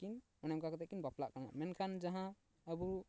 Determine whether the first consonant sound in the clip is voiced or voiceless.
voiceless